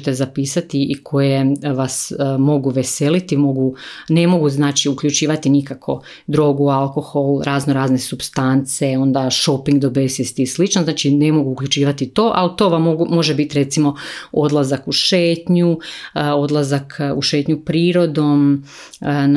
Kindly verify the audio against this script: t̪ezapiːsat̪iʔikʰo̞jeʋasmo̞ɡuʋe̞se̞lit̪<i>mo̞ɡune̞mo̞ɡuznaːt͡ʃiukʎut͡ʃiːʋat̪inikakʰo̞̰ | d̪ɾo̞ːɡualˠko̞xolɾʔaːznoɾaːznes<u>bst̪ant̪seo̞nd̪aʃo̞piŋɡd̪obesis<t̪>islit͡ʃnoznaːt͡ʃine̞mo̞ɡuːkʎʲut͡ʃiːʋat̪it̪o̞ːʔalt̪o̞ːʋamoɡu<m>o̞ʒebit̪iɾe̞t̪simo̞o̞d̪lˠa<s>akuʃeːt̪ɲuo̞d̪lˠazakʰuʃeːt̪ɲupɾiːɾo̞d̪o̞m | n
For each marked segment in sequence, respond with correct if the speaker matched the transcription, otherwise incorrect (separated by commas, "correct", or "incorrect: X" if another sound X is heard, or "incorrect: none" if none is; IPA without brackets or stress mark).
correct, correct, correct, correct, incorrect: z